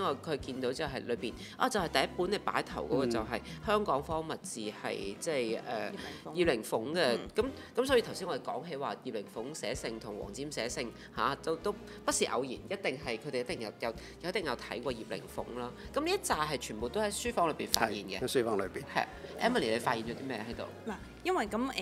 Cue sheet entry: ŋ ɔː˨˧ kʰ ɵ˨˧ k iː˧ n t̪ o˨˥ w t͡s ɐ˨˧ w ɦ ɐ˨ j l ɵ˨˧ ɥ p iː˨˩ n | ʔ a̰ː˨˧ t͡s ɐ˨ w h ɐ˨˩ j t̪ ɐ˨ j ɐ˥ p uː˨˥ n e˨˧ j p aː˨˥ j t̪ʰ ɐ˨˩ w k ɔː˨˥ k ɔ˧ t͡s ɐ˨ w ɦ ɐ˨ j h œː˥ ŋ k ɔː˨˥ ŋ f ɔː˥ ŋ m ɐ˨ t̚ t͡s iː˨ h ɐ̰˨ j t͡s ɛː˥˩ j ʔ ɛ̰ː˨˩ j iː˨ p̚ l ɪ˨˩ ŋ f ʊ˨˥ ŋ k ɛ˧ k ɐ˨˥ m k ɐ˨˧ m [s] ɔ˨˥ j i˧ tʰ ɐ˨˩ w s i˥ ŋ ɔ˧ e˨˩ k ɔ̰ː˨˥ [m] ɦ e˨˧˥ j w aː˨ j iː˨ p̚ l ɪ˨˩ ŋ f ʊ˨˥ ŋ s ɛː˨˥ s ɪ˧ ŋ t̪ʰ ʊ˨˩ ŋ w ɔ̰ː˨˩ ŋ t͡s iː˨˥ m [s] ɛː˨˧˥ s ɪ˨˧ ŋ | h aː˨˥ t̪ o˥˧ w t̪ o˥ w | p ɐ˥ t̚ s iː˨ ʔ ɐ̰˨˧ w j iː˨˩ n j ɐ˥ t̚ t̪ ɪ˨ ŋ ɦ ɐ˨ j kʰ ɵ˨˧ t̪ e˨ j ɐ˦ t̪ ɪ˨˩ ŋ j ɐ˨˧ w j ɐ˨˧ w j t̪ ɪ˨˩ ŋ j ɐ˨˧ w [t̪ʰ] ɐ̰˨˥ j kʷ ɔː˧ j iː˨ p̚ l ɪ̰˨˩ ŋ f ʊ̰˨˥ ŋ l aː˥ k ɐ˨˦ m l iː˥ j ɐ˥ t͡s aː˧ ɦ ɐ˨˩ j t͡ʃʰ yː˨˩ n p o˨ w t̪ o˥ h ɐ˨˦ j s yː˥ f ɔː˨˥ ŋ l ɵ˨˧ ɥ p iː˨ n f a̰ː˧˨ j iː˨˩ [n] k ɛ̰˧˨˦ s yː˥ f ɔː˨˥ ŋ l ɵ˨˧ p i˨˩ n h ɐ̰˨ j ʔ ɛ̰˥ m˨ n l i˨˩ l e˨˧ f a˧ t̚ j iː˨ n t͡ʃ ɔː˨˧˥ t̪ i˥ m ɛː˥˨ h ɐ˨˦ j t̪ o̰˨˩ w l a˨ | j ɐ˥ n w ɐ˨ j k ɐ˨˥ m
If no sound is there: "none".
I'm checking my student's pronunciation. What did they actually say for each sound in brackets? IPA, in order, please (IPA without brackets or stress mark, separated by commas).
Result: s, ŋ, s, t̪ʰ, n